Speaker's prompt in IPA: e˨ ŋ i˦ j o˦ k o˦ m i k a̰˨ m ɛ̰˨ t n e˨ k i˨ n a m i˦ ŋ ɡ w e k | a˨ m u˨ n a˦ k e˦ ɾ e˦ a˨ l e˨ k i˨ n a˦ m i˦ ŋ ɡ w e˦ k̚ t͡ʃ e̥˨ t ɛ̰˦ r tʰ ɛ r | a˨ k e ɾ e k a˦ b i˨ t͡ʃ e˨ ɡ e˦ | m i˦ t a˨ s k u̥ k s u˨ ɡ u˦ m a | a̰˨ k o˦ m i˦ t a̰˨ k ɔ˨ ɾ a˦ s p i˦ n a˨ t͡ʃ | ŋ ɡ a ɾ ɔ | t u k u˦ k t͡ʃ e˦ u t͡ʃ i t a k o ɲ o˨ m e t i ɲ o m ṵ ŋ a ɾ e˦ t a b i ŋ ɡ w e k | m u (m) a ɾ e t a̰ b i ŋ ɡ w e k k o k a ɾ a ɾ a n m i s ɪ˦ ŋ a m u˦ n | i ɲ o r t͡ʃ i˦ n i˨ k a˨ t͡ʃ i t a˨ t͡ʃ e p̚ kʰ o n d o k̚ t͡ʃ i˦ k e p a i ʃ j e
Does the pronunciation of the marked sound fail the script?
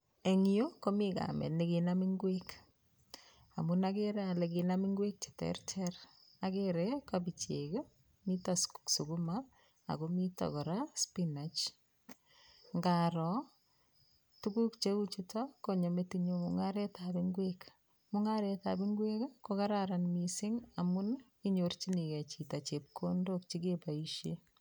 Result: yes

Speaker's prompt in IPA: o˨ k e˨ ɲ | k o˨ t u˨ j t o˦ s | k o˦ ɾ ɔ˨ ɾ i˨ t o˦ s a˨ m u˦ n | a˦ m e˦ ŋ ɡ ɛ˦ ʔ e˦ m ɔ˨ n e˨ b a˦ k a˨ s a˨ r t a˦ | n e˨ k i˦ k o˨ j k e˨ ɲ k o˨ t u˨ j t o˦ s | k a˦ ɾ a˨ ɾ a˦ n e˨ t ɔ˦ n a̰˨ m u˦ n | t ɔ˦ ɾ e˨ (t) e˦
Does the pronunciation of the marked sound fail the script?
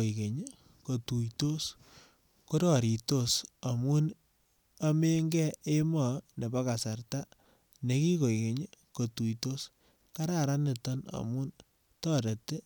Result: no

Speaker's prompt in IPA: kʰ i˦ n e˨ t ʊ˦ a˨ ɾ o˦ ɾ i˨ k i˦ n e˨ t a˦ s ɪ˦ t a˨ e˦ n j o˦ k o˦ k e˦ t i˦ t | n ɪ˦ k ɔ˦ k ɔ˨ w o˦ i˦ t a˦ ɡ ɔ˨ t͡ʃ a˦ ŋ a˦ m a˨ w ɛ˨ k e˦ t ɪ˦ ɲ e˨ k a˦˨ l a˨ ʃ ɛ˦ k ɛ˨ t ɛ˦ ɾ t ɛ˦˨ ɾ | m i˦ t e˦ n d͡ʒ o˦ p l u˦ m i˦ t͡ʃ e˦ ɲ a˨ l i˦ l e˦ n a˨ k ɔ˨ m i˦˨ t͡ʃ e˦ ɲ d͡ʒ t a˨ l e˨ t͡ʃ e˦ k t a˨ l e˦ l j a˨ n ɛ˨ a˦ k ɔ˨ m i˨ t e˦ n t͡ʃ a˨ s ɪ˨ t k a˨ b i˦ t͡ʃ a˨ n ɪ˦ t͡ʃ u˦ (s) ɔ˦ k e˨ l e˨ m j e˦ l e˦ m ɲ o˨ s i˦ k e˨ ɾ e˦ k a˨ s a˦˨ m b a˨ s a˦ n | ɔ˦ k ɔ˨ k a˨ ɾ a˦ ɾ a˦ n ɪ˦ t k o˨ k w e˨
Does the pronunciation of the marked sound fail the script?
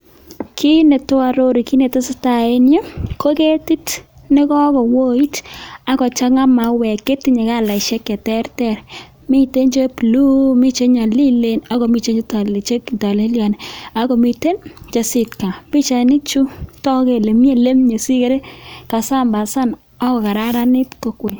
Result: yes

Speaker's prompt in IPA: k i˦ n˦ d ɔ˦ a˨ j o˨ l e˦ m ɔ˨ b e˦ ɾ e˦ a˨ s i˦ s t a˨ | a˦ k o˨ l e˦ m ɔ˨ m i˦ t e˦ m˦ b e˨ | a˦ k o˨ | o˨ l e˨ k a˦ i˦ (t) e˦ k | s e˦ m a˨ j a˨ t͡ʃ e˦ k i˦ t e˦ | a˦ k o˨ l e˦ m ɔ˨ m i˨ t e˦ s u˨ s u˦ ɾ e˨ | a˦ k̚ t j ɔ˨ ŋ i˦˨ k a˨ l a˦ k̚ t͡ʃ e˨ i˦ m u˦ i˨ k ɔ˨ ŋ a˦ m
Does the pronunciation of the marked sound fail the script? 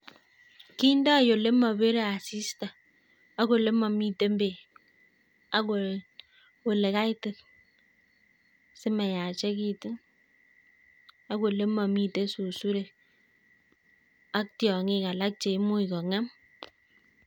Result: no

